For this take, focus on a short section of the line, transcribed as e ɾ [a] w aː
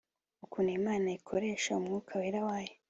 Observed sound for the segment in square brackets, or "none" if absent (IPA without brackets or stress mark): a